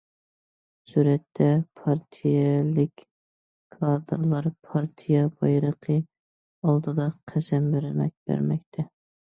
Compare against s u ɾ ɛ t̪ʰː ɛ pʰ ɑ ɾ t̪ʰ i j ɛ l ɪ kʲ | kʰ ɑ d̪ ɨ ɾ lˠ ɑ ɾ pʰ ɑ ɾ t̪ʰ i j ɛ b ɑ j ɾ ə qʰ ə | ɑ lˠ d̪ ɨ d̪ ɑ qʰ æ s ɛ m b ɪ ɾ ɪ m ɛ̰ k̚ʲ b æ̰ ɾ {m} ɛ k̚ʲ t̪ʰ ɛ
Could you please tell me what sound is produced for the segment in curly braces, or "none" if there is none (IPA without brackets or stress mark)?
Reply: m